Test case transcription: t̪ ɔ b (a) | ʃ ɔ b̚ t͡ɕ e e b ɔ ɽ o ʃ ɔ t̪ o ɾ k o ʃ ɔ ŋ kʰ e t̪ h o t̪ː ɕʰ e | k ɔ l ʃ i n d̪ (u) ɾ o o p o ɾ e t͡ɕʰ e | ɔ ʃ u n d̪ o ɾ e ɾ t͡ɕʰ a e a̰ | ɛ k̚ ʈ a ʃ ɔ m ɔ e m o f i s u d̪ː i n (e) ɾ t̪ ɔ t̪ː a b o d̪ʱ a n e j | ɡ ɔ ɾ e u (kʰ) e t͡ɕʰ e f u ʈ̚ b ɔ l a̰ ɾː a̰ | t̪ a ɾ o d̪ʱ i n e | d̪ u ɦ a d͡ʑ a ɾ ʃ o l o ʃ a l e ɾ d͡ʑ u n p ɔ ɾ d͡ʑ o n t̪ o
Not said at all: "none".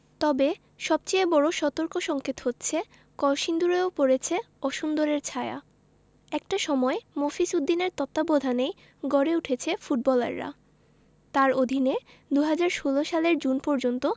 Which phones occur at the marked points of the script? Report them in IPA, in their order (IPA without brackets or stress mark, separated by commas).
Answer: e, u, e, ʈʰ